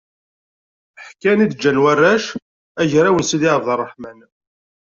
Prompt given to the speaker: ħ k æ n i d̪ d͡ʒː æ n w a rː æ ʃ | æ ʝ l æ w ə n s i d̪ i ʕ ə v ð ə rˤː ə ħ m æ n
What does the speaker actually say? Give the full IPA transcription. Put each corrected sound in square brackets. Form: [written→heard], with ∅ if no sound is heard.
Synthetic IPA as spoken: ħ k æ n i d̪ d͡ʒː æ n w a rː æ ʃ | æ ʝ [l→ɾ] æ w ə n s i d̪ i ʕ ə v ð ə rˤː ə ħ m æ n